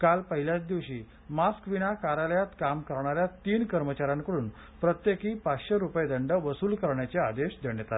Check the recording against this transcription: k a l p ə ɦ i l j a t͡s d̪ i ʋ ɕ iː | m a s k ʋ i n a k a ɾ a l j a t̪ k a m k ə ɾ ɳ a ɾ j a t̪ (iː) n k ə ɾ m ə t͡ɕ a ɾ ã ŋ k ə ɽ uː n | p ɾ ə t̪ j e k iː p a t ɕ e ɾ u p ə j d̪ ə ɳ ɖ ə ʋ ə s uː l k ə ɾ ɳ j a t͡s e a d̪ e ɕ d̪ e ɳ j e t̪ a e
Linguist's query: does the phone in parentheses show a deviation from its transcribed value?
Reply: no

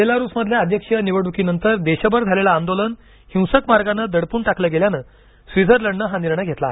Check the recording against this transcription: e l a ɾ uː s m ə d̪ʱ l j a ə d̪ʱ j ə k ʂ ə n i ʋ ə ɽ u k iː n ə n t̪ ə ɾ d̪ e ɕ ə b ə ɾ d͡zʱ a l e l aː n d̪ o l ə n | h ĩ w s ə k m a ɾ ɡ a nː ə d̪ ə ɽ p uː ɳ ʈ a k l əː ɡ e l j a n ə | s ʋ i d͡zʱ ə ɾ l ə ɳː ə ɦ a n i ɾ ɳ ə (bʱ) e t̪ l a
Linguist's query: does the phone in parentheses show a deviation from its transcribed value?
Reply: yes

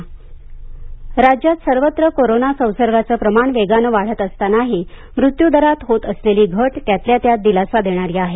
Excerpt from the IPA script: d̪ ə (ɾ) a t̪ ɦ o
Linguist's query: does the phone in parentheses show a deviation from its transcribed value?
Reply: no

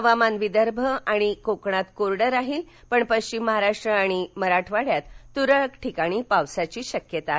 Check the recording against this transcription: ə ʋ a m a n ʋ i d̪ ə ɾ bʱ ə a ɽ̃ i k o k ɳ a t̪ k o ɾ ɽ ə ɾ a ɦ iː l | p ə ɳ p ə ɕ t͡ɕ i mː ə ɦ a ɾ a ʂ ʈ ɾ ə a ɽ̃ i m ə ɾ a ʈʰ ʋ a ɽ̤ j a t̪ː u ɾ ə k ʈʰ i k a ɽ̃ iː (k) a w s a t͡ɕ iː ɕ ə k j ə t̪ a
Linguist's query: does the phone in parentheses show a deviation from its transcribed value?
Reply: yes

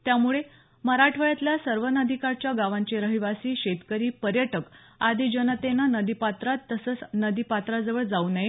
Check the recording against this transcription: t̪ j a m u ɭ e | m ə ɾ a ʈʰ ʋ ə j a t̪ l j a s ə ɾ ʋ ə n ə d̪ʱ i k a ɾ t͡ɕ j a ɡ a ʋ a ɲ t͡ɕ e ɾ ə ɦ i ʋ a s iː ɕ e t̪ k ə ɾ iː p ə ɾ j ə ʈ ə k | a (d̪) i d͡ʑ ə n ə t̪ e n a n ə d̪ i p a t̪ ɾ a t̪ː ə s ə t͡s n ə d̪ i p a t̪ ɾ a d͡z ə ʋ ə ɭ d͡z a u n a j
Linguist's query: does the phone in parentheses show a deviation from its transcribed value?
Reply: no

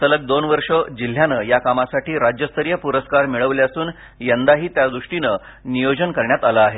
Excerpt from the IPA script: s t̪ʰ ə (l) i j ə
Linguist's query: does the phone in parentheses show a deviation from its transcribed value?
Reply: yes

